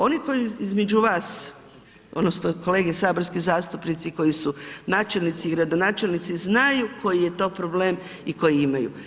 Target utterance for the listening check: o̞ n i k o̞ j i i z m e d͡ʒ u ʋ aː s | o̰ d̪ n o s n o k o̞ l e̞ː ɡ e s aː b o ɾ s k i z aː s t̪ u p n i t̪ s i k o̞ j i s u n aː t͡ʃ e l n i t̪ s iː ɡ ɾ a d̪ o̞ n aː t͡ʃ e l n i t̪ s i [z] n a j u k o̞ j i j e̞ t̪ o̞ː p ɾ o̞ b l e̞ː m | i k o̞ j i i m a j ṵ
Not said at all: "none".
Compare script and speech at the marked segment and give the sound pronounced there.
z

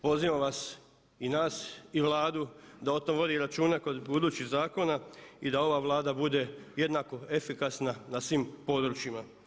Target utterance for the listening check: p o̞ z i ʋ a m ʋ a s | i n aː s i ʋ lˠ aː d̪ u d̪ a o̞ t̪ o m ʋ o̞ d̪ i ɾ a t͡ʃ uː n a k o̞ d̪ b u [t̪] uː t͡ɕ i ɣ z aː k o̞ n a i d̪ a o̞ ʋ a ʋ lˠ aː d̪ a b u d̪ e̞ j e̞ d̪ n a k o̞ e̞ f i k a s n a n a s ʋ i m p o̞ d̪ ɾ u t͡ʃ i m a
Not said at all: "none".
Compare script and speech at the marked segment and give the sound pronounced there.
d̪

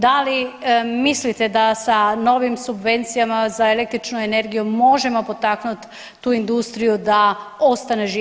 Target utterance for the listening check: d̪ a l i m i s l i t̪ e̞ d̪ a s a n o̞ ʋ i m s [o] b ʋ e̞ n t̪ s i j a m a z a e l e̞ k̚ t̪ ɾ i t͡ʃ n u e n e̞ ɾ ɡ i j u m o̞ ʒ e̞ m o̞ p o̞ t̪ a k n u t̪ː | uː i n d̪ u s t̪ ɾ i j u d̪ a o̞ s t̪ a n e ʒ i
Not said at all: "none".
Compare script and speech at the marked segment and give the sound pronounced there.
u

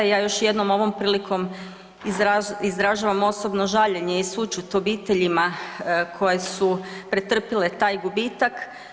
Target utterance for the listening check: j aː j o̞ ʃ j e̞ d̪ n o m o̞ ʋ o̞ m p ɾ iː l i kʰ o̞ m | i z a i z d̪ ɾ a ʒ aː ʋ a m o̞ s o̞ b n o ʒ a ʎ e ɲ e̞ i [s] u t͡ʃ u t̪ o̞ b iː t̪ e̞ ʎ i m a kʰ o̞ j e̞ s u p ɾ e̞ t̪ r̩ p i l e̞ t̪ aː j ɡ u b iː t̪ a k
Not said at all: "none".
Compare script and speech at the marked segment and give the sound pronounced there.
s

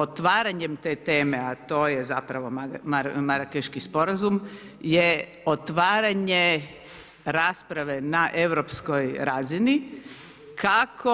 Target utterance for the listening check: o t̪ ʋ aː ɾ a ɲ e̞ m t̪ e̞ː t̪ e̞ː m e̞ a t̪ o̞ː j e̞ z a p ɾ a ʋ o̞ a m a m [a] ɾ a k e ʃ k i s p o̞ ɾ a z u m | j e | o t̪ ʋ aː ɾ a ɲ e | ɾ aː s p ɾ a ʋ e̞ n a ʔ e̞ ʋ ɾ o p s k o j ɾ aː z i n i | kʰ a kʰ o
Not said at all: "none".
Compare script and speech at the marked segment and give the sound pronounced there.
a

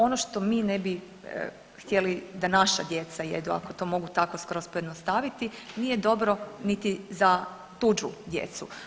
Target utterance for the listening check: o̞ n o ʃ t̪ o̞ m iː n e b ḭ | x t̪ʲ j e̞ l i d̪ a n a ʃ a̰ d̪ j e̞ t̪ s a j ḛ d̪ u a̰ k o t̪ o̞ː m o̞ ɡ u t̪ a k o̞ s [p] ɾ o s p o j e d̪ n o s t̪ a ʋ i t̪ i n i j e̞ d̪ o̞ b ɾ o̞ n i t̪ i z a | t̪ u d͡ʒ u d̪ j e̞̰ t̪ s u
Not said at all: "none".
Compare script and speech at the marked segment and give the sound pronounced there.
k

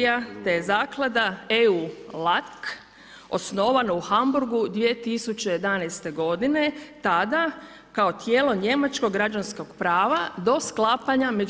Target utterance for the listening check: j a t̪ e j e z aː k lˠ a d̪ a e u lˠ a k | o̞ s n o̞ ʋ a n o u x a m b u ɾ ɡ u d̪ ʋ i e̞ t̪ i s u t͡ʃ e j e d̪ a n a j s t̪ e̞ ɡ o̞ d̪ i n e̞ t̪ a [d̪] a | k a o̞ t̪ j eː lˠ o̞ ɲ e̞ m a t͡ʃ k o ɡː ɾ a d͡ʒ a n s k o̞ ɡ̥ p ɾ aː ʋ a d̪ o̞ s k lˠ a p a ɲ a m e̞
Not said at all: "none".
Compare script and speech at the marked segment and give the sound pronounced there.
d̪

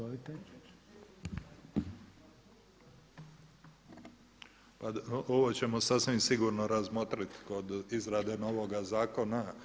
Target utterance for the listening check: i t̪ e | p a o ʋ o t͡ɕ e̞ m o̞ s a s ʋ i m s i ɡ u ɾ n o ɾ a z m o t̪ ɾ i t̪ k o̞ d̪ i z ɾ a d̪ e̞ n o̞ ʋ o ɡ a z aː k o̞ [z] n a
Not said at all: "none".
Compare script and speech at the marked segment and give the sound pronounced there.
none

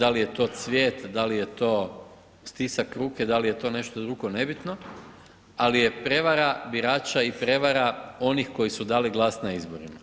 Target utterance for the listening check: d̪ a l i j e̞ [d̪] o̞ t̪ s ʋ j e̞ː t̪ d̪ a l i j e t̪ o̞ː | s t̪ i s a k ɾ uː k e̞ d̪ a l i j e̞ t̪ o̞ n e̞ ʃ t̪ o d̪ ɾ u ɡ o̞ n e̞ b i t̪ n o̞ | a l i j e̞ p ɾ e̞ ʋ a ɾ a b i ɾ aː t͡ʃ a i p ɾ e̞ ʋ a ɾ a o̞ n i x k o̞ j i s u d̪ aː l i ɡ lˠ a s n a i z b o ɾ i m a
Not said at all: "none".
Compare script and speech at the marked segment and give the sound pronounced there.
t̪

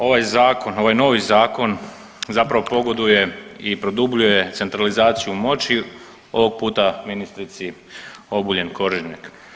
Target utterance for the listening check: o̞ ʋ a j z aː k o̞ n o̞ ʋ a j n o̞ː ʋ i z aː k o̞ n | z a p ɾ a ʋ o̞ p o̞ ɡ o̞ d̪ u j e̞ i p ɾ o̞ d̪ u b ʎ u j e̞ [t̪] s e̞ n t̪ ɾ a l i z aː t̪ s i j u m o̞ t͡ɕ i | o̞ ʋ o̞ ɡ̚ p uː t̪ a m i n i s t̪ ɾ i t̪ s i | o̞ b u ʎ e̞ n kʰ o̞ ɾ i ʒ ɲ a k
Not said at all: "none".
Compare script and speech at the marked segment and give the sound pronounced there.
t̪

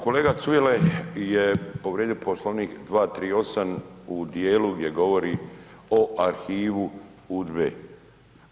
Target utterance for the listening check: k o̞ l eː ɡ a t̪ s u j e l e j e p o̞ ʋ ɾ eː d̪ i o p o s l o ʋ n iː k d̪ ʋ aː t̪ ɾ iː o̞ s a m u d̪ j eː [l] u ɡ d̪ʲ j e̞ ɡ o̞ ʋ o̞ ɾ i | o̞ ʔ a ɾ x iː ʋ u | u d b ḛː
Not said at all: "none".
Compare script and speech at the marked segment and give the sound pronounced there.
l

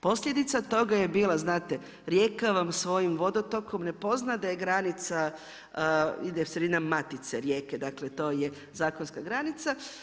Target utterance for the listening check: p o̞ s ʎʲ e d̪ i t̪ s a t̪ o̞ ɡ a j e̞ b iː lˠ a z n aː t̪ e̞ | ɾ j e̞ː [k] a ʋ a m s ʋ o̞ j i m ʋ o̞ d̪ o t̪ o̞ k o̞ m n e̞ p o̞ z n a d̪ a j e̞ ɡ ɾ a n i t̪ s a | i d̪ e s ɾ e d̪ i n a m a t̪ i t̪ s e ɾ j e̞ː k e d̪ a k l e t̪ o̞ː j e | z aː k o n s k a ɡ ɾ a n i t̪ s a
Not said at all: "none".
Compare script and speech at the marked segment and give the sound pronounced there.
k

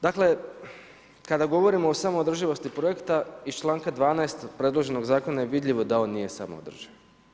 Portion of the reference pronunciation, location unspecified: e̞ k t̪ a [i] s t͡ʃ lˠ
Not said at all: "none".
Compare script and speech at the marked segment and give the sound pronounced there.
i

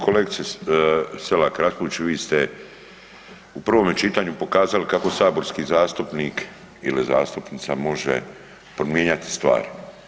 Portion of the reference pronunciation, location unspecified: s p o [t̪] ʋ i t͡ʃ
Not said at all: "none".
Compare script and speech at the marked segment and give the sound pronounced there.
none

